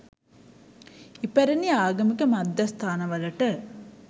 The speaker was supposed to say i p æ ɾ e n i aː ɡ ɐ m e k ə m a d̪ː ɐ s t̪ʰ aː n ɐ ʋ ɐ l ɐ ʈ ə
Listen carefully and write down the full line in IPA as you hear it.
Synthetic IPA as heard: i p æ ɾ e n i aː ɡ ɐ m i k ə m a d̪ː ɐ s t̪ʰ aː n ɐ ʋ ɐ l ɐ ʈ ə